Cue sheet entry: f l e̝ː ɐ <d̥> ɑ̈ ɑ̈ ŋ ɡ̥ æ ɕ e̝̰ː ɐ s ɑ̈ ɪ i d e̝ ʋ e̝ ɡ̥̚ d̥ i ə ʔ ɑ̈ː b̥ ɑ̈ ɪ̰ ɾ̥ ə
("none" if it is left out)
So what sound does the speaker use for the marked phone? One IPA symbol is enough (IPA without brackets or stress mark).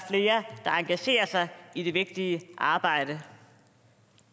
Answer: d̥